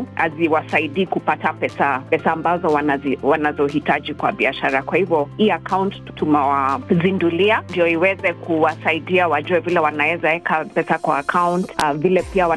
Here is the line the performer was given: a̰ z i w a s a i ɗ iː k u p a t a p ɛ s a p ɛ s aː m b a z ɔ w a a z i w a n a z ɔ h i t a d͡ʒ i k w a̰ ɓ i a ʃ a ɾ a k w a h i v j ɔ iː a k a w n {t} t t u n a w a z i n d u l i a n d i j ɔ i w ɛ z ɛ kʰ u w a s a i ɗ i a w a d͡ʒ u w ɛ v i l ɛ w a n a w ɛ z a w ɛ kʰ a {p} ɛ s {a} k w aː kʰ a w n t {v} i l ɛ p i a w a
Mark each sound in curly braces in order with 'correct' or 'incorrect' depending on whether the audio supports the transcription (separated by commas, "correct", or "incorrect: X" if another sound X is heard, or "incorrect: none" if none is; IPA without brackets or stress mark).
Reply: correct, correct, correct, correct